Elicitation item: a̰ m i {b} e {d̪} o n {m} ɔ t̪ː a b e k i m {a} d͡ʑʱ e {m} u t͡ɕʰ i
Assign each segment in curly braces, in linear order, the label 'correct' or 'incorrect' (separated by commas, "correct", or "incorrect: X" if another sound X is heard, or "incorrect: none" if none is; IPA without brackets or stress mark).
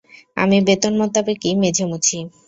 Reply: correct, incorrect: t̪, correct, incorrect: e, correct